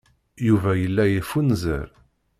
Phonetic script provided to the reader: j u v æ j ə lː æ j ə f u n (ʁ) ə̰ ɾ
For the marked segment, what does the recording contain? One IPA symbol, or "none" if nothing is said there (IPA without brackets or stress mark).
z